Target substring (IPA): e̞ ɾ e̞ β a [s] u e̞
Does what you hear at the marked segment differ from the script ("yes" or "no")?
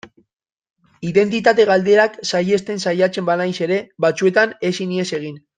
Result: yes